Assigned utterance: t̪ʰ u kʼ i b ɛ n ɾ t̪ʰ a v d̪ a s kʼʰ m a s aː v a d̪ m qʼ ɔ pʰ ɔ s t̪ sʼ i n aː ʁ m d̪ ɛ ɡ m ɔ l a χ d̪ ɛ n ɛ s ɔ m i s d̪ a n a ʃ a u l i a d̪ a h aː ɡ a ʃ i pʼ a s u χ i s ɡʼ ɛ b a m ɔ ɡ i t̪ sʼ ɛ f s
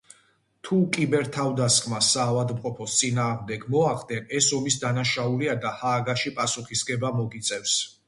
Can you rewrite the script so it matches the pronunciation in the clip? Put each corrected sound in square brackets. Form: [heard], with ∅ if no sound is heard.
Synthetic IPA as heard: t̪ʰ u kʼ i b ɛ [∅] ɾ t̪ʰ a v d̪ a s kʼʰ m a s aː v a d̪ m qʼ ɔ pʰ ɔ s t̪ sʼ i n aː ʁ m d̪ ɛ ɡ m ɔ [∅] a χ d̪ ɛ n ɛ s ɔ m i s d̪ a n a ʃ a u l i a d̪ a h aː ɡ a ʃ i pʼ a s u χ i s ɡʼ ɛ b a m ɔ ɡ i t̪ sʼ ɛ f s